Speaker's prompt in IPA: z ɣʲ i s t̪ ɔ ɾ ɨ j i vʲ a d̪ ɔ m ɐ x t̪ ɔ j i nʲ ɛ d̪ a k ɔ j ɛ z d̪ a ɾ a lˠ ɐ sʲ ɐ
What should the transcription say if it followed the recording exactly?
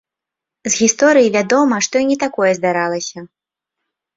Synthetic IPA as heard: z ɣʲ i s t̪ ɔ ɾ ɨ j i vʲ a d̪ ɔ m ɐ ʂ t̪ ɔ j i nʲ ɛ t̪ a k ɔ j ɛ z d̪ a ɾ a lˠ ɐ sʲ ɐ